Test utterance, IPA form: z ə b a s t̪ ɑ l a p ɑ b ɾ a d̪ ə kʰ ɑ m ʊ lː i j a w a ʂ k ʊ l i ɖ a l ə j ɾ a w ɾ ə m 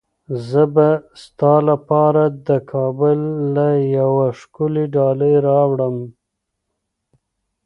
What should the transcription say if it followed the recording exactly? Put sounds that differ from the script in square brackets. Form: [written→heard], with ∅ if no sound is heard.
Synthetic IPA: z ə b a s t̪ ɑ l a p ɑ [b→∅] ɾ a d̪ ə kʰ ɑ [m→b] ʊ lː [i→a] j a w a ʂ k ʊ l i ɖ [a→ɑ] l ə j ɾ [a→ɑ] w [ɾ→ɽ] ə m

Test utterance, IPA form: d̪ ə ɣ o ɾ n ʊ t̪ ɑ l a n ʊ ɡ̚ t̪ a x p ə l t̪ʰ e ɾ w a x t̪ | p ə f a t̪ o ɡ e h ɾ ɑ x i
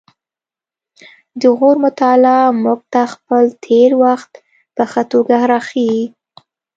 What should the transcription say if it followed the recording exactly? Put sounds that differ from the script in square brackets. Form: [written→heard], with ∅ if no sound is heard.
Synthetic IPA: d̪ ə ɣ o ɾ [n→m] ʊ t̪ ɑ l a [n→m] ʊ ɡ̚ t̪ a x p ə l t̪ʰ e ɾ w a x t̪ | p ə [f→x] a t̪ o ɡ [e→a] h ɾ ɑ x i

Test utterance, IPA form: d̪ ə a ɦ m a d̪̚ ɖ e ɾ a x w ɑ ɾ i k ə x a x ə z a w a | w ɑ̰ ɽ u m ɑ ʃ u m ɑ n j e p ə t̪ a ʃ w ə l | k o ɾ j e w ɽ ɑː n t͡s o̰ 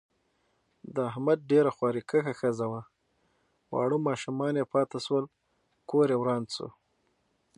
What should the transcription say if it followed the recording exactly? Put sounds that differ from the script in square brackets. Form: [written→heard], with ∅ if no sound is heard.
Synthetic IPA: d̪ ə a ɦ m a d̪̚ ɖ e ɾ a x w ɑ ɾ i k ə x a x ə z a w a | w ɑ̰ ɽ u m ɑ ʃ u m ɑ n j e p [ə→ɑ] t̪ a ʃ w ə l | k o ɾ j e w [ɽ→ɾ] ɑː n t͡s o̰

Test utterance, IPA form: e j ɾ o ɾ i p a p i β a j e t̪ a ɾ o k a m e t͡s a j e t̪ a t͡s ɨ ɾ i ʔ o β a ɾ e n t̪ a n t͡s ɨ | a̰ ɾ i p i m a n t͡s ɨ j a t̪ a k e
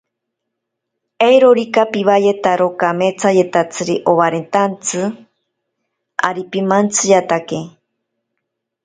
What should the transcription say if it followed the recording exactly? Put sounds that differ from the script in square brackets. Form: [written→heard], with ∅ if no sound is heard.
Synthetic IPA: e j ɾ o ɾ i [p→k] a p i β a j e t̪ a ɾ o k a m e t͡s a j e t̪ a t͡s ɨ ɾ i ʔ o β a ɾ e n t̪ a n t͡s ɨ | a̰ ɾ i p i m a n t͡s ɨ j a t̪ a k e

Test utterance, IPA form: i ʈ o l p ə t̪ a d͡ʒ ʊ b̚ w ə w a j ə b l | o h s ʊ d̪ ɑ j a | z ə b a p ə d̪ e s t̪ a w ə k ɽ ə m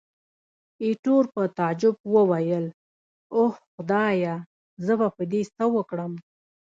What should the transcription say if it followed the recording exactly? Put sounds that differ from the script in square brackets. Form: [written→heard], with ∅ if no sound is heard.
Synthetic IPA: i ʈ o [l→ɾ] p ə t̪ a d͡ʒ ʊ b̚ w ə w a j ə [b→∅] l | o h [s→x] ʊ d̪ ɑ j a | z ə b a p ə d̪ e s t̪ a w ə k ɽ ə m

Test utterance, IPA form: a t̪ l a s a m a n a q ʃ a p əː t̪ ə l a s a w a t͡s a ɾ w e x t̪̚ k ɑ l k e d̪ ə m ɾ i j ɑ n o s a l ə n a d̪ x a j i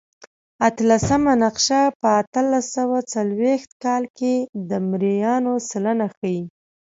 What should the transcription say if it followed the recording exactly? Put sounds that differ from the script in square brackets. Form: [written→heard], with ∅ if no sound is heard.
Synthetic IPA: a t̪ l a s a m a n a q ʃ a p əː t̪ ə l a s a w a t͡s a [ɾ→l] w e x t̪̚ k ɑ l k e d̪ ə m ɾ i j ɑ n o s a l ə n a [d̪→∅] x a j i

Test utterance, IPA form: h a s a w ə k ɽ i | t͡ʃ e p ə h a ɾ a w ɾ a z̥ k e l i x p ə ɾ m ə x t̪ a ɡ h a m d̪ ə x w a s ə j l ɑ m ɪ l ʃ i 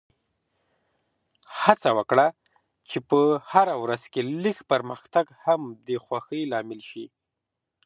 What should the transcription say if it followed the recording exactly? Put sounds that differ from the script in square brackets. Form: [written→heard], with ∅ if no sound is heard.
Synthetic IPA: h a [s→t͡s] a w ə k ɽ [i→a] | t͡ʃ e p ə h a ɾ a w ɾ a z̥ k e l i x p ə ɾ m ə x t̪ a ɡ h a m d̪ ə x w a [s→x] ə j l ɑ m ɪ l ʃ i

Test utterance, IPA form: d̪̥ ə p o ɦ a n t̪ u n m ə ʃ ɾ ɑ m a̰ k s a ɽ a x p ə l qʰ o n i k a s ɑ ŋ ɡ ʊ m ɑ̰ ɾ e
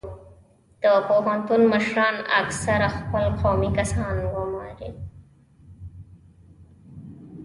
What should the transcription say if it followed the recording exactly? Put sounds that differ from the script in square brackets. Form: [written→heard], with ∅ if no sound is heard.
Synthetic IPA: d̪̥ ə p o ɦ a n t̪ u n m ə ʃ ɾ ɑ [m→n] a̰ k s a [ɽ→ɾ] a x p ə l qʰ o [n→m] i k a s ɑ [ŋ→n] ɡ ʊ m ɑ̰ ɾ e

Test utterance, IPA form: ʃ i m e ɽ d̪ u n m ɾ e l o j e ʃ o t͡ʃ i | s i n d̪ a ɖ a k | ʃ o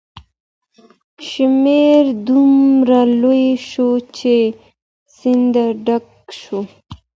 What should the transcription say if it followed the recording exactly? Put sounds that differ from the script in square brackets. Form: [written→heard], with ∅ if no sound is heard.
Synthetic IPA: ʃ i m e [ɽ→ɾ] d̪ u [n→∅] m ɾ [e→a] l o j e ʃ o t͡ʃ [i→e] | s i n d̪ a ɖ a k | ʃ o

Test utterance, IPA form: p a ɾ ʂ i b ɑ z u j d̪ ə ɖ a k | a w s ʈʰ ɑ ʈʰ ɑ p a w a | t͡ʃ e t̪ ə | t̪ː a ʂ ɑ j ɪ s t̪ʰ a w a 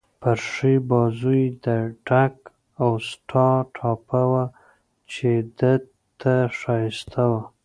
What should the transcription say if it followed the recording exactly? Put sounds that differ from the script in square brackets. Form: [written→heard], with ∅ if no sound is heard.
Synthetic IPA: p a ɾ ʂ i b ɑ z u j d̪ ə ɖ a k | a w s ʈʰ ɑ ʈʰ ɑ p a w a | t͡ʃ e [t̪→d̪] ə | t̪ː a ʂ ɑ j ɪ s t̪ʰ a w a

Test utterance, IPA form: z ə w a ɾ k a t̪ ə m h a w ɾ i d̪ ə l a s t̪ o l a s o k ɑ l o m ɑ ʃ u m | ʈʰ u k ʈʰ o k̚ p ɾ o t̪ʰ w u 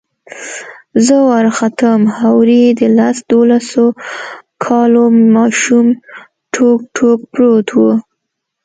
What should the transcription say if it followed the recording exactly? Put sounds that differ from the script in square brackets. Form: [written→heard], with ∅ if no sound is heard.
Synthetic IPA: z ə w a ɾ [k→x] a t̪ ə m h a w ɾ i d̪ ə l a s [t̪→d̪] o l a s o [k→kʰ] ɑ l o m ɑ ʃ u m | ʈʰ [u→o] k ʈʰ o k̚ p ɾ o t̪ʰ w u

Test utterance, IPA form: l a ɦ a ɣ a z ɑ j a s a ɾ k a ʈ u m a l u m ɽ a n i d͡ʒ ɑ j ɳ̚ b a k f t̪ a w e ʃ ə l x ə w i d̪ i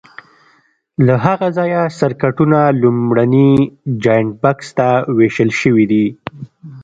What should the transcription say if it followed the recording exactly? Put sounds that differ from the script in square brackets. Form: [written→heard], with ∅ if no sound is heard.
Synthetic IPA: l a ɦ a ɣ a z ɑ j a s a ɾ k a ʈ u [m→n] a l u m ɽ a n i d͡ʒ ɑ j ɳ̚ b a k [f→s] t̪ a w e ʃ ə l [x→ʃ] ə w i d̪ i

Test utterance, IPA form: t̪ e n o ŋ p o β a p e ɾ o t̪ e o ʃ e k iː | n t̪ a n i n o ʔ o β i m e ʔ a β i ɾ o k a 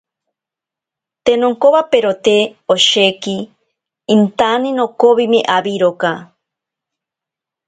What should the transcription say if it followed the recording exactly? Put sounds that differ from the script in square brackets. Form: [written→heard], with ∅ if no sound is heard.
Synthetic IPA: t̪ e n o ŋ [p→k] o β a p e ɾ o t̪ e o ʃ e k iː | n t̪ a n i n o [ʔ→k] o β i m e ʔ a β i ɾ o k a

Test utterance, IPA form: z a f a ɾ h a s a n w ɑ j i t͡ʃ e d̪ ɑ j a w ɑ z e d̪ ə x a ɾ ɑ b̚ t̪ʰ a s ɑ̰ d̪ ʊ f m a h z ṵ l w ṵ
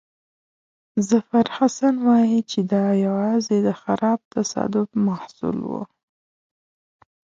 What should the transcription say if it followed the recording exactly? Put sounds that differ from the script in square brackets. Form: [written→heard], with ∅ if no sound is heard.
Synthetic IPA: z a f a ɾ h a s a n w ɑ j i t͡ʃ e d̪ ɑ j a w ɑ z e d̪ ə x a ɾ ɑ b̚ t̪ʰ a s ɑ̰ d̪ ʊ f m a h [z→s] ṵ l w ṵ

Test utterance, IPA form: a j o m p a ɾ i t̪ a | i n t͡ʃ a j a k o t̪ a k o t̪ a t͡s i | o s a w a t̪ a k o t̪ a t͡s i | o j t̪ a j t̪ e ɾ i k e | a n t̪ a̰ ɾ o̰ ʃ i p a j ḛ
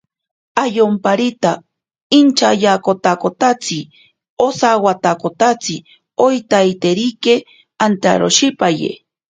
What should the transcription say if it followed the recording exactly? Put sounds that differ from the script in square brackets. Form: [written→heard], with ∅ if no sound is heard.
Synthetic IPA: a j o m p a ɾ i t̪ a | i n t͡ʃ a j a k o t̪ a k o t̪ a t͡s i | o s a w a t̪ a k o t̪ a t͡s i | o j t̪ a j t̪ e ɾ i k e | a n t̪ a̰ ɾ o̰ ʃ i p a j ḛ

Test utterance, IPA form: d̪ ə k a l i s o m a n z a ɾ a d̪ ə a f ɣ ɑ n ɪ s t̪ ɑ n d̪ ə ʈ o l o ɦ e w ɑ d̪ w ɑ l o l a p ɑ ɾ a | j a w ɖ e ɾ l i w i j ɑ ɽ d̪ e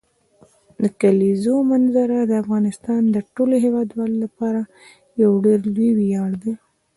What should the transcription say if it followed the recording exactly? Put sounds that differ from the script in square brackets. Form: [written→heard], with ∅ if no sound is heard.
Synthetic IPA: d̪ ə k a l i [s→z] o m a n z a ɾ a d̪ ə a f ɣ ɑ n ɪ s t̪ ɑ n d̪ ə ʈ o l o ɦ e w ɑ d̪ w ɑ l o l a p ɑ ɾ a | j a w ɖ e ɾ l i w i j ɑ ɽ d̪ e

